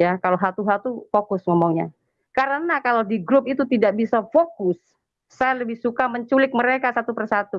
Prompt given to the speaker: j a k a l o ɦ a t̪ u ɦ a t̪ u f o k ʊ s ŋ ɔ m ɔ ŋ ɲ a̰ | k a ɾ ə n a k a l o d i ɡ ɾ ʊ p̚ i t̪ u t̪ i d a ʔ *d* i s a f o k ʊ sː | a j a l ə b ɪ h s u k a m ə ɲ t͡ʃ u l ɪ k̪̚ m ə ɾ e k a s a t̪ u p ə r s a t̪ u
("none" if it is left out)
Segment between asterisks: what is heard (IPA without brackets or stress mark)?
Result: b